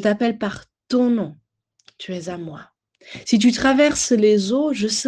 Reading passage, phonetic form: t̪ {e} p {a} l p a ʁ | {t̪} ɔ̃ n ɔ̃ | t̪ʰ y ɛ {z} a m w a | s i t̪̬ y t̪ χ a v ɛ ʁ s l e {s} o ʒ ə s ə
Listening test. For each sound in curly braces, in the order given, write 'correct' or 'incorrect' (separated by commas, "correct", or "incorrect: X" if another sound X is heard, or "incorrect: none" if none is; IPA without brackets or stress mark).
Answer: incorrect: a, incorrect: ɛ, correct, correct, incorrect: z